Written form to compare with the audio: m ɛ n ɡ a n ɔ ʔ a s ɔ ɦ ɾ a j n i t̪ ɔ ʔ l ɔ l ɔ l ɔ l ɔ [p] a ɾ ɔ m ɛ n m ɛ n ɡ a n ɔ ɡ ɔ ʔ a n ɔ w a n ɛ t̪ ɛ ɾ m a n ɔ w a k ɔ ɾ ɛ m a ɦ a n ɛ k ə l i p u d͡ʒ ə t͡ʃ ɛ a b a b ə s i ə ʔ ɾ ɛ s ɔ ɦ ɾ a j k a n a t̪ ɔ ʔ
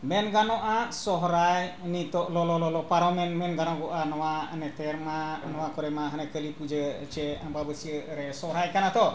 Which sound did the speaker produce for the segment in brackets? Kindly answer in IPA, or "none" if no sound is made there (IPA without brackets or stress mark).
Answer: p